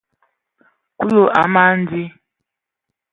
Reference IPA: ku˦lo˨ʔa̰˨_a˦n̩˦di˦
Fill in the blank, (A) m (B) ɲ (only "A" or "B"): A